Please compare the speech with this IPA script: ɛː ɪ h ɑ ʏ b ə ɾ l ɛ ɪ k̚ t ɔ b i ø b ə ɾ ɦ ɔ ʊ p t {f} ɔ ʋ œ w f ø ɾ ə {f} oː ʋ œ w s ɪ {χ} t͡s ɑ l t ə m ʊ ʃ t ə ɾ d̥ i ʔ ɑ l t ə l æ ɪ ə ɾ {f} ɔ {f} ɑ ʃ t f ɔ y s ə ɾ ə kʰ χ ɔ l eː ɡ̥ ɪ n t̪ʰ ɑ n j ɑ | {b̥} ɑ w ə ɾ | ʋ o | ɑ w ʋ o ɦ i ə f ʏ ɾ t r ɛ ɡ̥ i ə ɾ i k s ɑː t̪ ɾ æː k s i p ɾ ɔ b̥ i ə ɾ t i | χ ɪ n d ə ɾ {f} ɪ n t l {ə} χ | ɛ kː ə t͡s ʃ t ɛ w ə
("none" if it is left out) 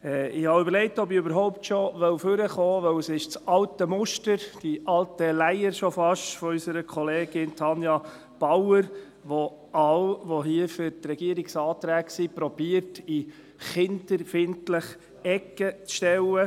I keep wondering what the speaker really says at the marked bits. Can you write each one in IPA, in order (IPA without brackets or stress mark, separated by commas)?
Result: ʃ, χ, ʃ, ʃ, f, b̥, f, ə